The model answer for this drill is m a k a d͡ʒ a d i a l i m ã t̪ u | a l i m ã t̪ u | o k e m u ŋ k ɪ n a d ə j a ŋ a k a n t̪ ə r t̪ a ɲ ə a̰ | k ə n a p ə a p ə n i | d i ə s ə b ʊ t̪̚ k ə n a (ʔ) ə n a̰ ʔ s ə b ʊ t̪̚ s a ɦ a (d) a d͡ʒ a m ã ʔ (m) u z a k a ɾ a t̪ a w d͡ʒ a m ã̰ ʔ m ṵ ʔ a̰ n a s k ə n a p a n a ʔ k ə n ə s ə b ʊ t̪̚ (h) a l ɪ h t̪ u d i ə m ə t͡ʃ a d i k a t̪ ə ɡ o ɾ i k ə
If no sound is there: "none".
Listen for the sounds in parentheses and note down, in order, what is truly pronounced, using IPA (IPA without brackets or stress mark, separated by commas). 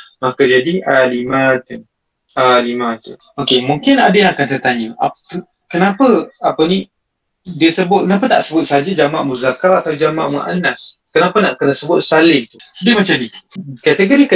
p, d͡ʒ, m, s